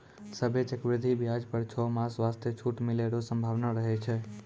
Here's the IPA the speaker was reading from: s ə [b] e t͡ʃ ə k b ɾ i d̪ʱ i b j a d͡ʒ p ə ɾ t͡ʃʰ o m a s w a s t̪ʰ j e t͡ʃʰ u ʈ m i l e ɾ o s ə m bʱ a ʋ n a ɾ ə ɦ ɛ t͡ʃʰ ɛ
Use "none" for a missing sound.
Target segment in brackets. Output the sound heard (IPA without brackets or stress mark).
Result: b